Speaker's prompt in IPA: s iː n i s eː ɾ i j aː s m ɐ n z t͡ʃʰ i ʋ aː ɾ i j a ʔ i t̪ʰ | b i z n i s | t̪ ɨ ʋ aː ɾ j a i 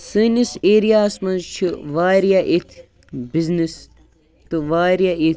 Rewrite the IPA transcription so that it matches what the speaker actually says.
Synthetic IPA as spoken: s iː n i s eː ɾ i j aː s m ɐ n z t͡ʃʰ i ʋ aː ɾ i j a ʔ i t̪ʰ | b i z n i s | t̪ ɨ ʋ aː ɾ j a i